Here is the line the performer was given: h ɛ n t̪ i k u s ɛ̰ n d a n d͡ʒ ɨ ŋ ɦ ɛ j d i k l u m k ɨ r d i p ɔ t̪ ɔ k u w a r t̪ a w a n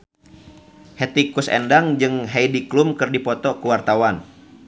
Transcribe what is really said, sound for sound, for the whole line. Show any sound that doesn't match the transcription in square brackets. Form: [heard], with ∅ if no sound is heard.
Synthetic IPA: h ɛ [∅] t̪ i k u s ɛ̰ n d a [ŋ] d͡ʒ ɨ ŋ ɦ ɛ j d i k l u m k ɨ r d i p ɔ t̪ ɔ k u w a r t̪ a w a n

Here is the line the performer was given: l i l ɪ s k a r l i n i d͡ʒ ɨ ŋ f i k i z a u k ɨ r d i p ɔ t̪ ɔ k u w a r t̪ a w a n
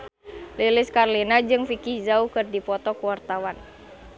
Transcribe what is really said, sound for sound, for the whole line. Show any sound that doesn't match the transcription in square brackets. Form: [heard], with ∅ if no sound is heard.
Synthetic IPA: l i l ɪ s k a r l i n [a] d͡ʒ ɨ ŋ f i k i z a u k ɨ r d i p ɔ t̪ ɔ k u w a r t̪ a w a n

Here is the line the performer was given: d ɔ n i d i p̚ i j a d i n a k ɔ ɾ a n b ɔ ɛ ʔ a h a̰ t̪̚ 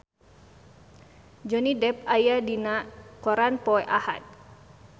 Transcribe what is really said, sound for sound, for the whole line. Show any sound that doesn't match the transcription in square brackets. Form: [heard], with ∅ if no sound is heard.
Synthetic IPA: [d͡ʒ] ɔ n i d [ɛ] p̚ [a] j a d i n a k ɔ ɾ a n [p] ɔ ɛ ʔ a h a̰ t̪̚

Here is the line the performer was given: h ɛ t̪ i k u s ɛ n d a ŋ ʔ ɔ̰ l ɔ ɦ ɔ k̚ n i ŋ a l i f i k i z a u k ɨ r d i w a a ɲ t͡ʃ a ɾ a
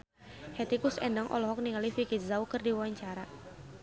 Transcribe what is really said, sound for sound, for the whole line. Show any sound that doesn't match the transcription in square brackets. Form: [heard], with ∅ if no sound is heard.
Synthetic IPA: h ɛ t̪ i k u s ɛ n d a ŋ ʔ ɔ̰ l ɔ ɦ ɔ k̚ n i ŋ a l i f i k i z a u k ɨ r d i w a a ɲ t͡ʃ a ɾ a

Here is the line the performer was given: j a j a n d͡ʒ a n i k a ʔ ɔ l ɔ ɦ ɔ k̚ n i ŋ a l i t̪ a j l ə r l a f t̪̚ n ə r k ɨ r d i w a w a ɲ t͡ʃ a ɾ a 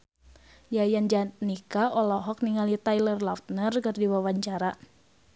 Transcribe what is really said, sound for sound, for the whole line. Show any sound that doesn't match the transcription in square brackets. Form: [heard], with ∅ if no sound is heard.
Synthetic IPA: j a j a n d͡ʒ a n i k a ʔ ɔ l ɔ ɦ ɔ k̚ n i ŋ a l i t̪ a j l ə r l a f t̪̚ n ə r k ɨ r d i w a w a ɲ t͡ʃ a ɾ a

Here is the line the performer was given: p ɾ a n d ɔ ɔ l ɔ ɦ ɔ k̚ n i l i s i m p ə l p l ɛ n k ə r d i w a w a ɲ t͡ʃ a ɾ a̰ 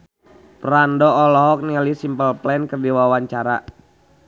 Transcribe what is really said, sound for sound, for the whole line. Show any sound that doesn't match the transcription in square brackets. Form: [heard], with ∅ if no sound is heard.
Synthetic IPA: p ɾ a n d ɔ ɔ l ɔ ɦ ɔ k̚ n i l i s i m p ə l p l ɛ n k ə r d i w a w a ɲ t͡ʃ a ɾ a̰

